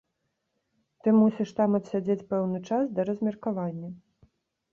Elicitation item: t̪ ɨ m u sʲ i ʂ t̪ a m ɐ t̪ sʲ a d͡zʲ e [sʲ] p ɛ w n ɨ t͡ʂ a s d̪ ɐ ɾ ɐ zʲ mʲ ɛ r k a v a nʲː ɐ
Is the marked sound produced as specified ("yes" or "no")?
no